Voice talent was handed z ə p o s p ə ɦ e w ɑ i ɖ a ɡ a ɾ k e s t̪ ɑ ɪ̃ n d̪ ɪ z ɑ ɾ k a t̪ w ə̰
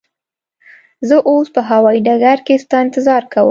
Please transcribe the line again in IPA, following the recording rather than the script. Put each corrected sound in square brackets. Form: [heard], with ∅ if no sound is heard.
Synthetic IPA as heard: z ə [ʔ] o s p ə ɦ [a] w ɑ i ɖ a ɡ a ɾ k e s t̪ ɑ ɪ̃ n [t̪] ɪ z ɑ ɾ k a [∅] w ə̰